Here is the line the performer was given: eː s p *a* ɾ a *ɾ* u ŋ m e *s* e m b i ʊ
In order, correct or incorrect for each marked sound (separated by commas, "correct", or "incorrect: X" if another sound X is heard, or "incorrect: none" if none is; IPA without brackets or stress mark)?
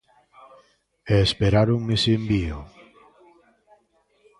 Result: incorrect: e, correct, correct